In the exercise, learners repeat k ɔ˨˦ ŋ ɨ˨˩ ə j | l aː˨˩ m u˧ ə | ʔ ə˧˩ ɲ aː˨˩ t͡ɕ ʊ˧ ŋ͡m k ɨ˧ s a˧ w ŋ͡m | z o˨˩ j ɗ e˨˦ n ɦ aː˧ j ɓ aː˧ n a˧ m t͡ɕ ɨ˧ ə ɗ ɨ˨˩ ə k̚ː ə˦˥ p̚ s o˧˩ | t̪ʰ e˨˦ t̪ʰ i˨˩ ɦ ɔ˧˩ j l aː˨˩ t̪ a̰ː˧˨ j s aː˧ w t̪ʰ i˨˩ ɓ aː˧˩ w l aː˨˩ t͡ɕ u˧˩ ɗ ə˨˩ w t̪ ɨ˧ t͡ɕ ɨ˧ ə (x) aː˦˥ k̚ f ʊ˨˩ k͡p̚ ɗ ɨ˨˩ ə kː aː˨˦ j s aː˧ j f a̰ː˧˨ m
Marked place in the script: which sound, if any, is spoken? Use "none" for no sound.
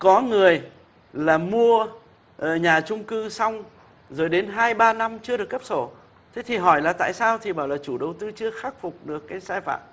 x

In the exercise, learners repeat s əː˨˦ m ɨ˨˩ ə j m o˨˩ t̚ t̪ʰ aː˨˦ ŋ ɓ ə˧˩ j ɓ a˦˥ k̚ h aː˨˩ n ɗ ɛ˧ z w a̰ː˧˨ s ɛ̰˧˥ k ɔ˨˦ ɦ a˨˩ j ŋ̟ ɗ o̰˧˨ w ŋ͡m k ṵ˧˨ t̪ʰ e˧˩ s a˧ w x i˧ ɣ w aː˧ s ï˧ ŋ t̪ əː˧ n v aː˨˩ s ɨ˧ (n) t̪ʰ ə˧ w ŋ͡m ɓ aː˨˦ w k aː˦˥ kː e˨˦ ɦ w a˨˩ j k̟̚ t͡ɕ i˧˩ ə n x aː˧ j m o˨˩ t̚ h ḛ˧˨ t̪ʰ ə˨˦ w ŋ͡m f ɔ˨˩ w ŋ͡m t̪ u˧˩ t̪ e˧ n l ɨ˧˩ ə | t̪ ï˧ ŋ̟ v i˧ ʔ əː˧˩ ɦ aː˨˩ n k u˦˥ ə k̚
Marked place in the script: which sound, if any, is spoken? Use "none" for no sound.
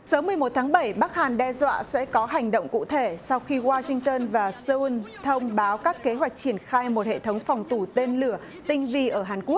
n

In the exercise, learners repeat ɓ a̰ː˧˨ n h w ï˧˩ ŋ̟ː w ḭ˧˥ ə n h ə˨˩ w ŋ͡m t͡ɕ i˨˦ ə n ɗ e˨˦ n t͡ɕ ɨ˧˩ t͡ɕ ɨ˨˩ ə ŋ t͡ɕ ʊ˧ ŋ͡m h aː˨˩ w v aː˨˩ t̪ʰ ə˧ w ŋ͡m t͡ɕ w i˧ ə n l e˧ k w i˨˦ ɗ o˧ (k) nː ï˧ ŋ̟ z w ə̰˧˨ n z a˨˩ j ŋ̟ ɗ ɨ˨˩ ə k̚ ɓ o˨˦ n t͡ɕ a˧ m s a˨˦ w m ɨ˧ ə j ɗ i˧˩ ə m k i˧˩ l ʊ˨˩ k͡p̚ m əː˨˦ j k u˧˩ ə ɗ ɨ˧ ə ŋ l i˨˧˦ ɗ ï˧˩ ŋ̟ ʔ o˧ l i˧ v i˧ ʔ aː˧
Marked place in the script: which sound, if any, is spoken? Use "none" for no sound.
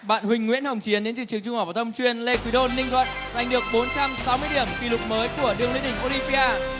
none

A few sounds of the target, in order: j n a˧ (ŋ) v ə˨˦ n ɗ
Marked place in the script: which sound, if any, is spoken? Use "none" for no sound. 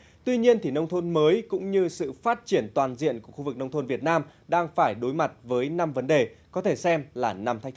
m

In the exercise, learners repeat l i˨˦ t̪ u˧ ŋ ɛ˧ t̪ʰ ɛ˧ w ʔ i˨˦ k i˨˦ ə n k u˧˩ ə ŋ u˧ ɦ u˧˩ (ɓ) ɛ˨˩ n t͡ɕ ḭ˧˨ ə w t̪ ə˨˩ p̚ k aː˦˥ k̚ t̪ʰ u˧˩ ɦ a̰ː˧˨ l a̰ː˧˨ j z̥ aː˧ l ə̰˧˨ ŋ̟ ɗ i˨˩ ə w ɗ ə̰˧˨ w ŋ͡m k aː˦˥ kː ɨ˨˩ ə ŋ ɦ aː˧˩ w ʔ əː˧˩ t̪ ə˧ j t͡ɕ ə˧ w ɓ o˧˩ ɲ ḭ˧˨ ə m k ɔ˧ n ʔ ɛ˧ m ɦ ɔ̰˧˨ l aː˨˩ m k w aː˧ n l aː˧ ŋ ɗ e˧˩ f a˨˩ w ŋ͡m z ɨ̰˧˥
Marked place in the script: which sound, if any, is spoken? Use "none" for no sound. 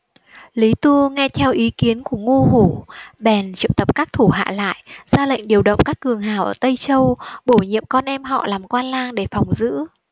ɓ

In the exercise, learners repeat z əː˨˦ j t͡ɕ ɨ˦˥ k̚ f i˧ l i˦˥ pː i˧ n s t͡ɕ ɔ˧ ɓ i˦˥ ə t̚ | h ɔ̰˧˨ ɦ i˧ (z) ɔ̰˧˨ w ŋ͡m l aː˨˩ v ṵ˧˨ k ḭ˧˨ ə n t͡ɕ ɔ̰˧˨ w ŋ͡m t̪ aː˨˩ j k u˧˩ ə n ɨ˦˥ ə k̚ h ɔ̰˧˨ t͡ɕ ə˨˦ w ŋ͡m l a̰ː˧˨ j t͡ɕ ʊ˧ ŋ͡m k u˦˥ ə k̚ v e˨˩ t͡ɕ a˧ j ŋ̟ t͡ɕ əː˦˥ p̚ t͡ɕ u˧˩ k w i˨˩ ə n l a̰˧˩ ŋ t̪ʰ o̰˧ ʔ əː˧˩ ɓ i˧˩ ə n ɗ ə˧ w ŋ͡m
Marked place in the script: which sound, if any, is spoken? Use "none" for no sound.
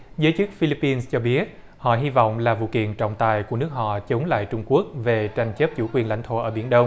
v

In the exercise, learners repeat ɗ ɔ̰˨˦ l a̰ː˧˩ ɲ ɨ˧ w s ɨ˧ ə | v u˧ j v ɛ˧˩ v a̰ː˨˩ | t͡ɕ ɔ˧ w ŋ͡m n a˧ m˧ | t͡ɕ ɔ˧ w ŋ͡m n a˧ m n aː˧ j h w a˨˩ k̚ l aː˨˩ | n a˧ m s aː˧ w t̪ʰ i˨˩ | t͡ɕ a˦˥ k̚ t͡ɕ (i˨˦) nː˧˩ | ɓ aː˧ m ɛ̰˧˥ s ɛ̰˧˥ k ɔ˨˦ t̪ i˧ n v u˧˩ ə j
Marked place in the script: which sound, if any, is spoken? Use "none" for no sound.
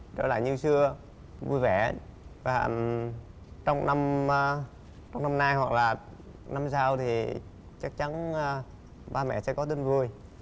a˨˦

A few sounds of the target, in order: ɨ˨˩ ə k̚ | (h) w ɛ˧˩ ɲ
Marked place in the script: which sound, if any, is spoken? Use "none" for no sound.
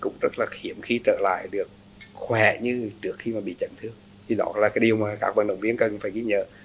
x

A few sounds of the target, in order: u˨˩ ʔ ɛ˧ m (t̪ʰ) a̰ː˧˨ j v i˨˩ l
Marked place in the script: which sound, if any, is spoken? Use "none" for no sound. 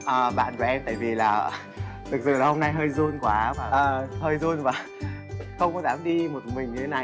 t̪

